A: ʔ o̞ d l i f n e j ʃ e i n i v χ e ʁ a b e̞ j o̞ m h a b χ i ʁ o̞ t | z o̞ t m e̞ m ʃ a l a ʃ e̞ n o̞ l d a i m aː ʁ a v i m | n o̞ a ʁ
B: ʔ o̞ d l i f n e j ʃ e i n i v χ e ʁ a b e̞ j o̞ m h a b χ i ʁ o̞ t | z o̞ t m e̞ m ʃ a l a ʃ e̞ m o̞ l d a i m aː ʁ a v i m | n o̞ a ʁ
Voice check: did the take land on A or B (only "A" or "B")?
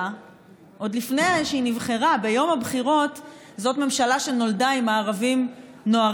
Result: A